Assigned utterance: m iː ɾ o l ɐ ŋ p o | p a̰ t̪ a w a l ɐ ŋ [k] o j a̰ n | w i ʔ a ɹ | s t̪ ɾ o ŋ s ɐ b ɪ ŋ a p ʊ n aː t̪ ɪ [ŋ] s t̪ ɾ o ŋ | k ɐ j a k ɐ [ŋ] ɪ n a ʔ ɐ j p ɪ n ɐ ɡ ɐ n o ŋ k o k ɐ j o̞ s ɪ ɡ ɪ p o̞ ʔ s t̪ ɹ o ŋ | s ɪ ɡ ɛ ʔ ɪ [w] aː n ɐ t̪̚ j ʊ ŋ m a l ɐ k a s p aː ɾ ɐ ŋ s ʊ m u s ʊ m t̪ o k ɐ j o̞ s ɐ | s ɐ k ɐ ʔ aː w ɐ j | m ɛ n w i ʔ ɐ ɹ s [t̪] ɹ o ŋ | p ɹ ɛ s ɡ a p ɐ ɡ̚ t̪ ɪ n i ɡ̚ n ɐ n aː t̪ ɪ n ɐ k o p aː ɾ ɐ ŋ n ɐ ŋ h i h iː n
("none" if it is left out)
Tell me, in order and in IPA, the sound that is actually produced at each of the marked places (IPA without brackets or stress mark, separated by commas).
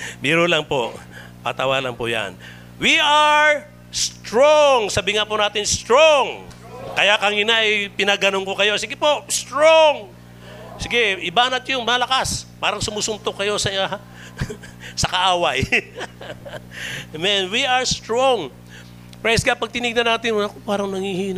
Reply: p, n, ŋ, b, t̪